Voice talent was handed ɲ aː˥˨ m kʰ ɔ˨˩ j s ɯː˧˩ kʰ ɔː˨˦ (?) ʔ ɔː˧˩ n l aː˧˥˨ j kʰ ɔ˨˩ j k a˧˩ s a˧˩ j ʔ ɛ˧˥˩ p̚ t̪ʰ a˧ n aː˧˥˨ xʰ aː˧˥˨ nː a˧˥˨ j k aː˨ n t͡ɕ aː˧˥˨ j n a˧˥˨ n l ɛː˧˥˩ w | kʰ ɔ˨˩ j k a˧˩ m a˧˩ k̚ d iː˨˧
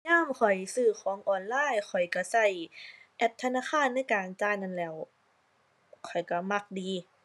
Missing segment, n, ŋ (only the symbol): ŋ